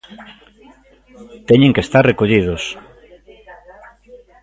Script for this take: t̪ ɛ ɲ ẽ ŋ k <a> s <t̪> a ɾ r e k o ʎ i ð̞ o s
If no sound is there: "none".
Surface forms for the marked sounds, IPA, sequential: e, t̪

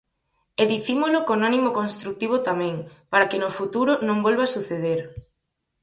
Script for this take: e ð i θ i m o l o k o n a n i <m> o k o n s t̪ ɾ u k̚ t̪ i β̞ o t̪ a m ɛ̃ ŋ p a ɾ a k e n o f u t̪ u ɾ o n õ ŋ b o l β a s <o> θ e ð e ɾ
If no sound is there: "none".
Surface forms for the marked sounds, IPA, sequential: m, u

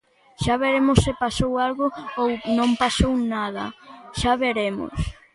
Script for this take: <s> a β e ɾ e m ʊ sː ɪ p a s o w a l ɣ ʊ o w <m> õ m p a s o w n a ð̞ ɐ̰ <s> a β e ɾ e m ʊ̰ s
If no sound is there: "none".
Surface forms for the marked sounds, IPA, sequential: ʃ, n, ʃ

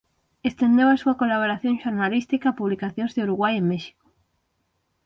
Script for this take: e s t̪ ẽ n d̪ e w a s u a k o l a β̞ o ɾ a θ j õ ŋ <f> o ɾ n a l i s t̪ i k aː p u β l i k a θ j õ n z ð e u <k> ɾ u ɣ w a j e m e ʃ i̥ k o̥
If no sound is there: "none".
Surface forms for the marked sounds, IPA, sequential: ʃ, none

